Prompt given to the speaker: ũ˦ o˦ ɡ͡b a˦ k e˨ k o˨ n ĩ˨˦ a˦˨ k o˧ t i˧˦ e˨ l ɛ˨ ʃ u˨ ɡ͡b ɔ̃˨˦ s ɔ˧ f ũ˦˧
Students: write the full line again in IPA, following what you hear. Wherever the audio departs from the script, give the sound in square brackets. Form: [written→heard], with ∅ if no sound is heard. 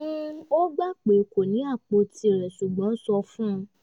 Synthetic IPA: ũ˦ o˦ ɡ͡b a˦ [k→k͡p] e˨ k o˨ n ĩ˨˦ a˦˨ [k→k͡p] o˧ t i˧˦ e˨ [l→ɾ] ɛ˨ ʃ u˨ ɡ͡b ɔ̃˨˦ s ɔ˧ f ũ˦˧